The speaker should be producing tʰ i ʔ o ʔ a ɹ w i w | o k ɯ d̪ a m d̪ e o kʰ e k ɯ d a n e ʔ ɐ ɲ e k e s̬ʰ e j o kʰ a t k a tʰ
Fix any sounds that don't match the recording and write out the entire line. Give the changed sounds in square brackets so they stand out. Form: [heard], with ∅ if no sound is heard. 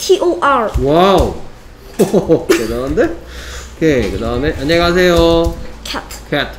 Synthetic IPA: tʰ i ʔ o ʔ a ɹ w [a] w | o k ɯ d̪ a [n] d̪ e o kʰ e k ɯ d a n e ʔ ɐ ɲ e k [a] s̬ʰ e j o kʰ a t [kʰ] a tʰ